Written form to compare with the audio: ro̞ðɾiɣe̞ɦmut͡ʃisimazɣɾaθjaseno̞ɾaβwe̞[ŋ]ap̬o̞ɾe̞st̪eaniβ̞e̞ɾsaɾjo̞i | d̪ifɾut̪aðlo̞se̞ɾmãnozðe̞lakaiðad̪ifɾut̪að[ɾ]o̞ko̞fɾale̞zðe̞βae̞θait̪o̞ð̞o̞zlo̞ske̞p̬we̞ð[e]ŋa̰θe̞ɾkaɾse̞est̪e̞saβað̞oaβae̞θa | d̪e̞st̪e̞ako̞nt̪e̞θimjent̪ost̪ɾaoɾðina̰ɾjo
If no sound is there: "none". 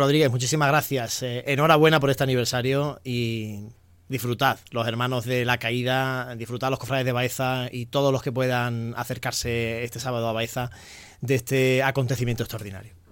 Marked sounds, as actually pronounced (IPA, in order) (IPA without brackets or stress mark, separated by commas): n, l, a